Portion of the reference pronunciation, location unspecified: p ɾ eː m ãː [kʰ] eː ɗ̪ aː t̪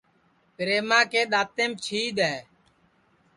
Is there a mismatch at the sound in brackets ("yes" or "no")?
yes